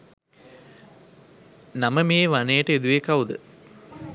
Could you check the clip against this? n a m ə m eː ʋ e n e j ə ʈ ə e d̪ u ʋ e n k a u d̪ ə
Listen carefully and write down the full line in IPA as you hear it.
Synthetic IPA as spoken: n a m ə m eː ʋ a n e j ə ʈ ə e d̪ u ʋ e k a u d̪ ə